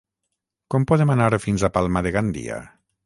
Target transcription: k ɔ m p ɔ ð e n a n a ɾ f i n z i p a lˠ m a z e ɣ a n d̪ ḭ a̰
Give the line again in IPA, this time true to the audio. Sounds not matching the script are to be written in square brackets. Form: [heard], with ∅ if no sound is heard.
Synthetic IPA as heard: k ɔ m p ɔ ð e [m] a n a ɾ f i n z [a] p a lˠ m a [ð] e ɣ a n d̪ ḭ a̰